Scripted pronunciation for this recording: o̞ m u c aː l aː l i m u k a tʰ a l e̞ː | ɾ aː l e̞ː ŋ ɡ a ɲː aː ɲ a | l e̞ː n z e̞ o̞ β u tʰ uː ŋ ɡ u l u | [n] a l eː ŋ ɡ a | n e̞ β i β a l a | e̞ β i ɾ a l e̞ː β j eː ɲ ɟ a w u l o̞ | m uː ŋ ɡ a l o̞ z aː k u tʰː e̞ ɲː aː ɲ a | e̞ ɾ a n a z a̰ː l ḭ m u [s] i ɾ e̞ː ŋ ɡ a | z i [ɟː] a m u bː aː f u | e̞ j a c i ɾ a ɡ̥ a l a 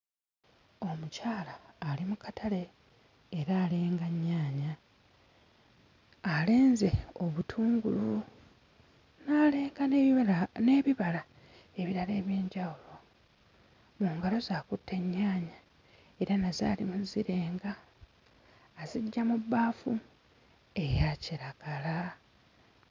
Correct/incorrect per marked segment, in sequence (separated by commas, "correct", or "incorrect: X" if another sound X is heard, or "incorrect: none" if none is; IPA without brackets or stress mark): correct, incorrect: z, correct